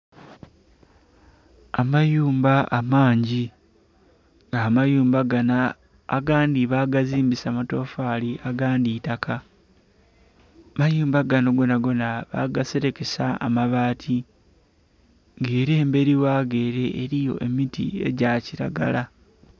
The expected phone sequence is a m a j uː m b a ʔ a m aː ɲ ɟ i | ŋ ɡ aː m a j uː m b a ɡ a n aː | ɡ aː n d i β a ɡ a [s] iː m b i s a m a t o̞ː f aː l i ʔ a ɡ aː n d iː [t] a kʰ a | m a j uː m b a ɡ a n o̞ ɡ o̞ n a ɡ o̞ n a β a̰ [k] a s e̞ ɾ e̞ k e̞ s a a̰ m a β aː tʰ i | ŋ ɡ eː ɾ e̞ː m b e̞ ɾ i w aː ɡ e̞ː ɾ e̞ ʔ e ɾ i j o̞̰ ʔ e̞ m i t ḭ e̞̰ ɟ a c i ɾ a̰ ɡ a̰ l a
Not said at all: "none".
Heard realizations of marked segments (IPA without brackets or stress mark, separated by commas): z, t, ɡ